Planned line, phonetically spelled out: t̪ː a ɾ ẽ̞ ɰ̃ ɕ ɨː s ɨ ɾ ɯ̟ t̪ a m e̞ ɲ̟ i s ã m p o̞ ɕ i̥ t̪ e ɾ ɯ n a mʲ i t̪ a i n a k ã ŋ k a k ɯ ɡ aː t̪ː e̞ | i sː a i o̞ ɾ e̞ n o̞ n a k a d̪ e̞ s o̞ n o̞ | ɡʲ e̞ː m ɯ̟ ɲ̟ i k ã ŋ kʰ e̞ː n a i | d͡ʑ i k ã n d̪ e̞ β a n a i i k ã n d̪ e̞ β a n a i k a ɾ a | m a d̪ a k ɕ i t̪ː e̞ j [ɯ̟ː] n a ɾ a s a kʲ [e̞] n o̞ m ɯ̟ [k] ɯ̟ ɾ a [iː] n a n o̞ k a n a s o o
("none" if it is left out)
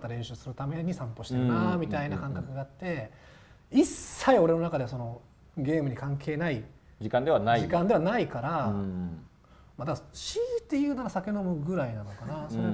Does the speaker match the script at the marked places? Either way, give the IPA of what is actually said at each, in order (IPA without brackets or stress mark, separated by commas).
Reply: ɯ̟ː, e̞, ɡ, i